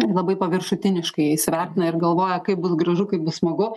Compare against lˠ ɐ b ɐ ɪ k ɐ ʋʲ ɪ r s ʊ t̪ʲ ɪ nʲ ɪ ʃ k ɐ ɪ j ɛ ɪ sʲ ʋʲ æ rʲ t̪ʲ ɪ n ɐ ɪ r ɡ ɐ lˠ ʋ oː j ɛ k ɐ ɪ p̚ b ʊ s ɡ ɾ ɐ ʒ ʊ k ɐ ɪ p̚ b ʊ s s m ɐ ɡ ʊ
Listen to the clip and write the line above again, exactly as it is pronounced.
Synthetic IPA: lˠ ɐ b ɐ ɪ p ɐ ʋʲ ɪ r ʃ ʊ t̪ʲ ɪ nʲ ɪ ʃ k ɐ ɪ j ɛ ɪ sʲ ʋʲ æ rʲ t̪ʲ ɪ n ɐ ɪ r ɡ ɐ lˠ ʋ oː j ɛ k ɐ ɪ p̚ b ʊ s ɡ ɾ ɐ ʒ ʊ k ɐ ɪ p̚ b ʊ s s m ɐ ɡ ʊ